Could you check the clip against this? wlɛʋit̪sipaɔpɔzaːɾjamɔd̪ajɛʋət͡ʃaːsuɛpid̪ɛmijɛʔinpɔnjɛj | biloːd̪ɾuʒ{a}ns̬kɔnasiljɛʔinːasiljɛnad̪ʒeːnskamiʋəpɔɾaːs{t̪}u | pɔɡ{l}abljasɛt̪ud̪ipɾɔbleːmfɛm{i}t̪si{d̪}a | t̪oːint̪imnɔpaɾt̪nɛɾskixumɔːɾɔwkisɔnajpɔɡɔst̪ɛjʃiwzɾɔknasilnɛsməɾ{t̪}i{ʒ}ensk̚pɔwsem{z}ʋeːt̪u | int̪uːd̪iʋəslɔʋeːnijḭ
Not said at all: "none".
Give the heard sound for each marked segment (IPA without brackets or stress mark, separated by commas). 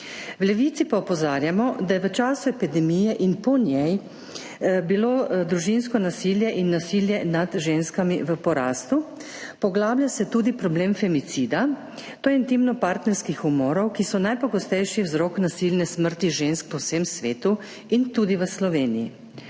i, t̪, l, i, d̪, t̪, ʒ, s